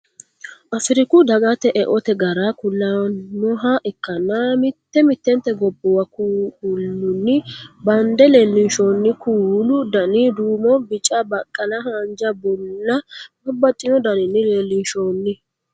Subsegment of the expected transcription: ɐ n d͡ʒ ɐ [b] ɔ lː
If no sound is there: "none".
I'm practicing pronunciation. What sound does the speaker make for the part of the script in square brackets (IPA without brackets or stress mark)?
b